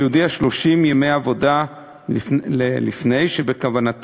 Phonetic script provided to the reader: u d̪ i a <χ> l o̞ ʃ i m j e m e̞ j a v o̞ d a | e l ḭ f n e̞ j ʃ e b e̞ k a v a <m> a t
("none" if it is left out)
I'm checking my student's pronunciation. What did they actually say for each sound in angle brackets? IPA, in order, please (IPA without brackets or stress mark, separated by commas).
ʃ, n